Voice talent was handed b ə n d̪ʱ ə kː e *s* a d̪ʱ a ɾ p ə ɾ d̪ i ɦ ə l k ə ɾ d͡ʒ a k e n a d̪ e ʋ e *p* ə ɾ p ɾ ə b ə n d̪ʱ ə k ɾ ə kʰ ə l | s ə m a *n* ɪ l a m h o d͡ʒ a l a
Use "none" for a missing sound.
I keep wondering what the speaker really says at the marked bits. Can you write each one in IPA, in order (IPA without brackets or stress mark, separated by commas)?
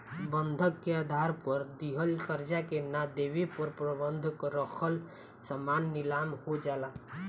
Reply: none, p, nː